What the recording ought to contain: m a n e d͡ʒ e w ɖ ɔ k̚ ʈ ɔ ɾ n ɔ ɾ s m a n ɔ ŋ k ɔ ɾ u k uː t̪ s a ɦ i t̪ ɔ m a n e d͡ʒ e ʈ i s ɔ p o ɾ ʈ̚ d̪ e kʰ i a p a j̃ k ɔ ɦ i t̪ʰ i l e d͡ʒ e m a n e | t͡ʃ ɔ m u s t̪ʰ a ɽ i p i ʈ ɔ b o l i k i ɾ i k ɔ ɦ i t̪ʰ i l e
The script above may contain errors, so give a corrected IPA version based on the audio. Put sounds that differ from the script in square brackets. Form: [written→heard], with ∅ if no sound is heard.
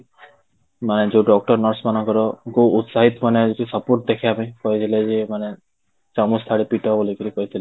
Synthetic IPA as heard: m a n e d͡ʒ e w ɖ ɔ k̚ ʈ ɔ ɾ n ɔ ɾ s m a n ɔ ŋ k ɔ ɾ [u→ɔ] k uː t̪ s a ɦ i t̪ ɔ m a n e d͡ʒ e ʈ i s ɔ p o ɾ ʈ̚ d̪ e kʰ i a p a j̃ k ɔ ɦ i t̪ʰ i l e d͡ʒ e m a n e | t͡ʃ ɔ m u s t̪ʰ a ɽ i p i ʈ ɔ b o l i k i ɾ i k ɔ ɦ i t̪ʰ i l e